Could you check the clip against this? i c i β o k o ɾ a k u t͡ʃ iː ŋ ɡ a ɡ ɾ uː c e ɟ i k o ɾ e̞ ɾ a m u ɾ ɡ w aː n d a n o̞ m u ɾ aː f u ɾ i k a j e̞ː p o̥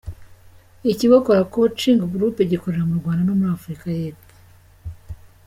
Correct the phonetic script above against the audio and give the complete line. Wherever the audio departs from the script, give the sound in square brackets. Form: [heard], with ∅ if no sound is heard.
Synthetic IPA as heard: i c i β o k o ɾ a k [o] t͡ʃ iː ŋ ɡ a ɡ ɾ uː [p] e ɟ i k o ɾ e̞ ɾ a m u ɾ ɡ w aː n d a n o̞ m u ɾ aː f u ɾ i k a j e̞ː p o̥